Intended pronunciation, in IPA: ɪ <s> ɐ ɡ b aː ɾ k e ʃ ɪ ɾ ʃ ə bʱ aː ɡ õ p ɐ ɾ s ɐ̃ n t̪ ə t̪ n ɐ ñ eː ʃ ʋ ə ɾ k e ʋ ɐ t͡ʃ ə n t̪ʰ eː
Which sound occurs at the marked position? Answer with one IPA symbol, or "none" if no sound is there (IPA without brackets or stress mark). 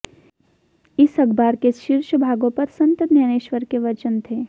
s